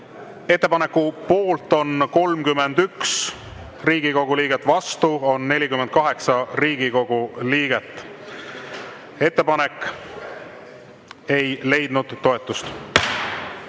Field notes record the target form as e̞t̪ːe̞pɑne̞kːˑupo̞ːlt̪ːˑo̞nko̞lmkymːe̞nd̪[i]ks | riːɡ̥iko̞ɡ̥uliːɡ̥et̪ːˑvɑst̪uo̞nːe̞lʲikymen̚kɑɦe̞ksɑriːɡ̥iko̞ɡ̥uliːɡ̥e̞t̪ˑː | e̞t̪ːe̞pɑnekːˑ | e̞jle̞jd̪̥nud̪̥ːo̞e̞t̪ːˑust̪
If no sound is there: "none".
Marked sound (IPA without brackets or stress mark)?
y